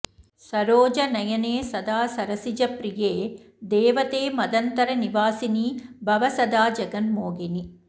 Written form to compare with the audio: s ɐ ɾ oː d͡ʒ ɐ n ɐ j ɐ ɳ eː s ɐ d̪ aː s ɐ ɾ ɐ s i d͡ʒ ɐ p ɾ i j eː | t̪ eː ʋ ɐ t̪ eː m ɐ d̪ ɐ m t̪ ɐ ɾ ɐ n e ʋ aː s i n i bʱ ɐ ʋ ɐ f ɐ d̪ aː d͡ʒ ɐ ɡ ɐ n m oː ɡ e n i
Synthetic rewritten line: s ɐ ɾ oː d͡ʒ ɐ n ɐ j ɐ n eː s ɐ d̪ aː s ɐ ɾ ɐ s i d͡ʒ ɐ p ɾ i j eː | d̪ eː ʋ ɐ t̪ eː m ɐ d̪ ɐ n t̪ ɐ ɾ ɐ n i ʋ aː s i n i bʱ ɐ ʋ ɐ s ɐ d̪ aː d͡ʒ ɐ ɡ ɐ n m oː ɡ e n i